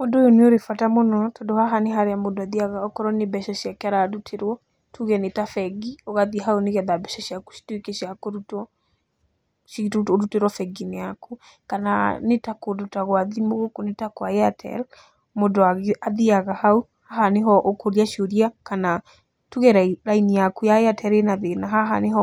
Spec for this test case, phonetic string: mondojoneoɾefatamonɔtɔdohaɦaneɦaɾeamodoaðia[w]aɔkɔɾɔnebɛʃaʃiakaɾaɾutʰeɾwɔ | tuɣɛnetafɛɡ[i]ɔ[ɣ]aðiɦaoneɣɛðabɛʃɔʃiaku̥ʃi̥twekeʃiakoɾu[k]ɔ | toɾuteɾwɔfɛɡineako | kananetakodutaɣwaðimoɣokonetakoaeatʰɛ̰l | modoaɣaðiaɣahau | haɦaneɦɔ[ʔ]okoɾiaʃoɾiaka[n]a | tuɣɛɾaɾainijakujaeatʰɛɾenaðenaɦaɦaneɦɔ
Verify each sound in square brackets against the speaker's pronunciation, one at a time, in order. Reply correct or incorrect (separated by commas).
incorrect, correct, correct, incorrect, correct, correct